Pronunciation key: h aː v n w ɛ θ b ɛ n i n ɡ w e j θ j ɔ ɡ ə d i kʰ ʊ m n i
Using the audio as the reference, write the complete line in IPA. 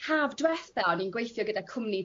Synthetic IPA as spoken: h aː v d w ɛ θ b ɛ n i n ɡ w e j θ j ɔ ɡ ə d a kʰ ʊ m n i